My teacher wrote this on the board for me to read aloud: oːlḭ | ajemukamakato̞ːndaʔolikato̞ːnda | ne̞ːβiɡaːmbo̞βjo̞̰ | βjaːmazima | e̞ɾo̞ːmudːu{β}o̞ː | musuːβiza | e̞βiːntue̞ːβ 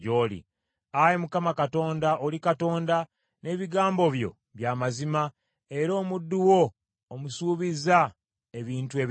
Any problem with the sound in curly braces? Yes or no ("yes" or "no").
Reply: yes